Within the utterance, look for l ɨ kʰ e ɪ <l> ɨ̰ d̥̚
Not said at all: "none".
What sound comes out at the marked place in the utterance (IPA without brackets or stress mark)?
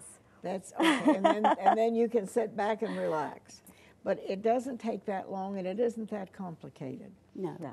ɾ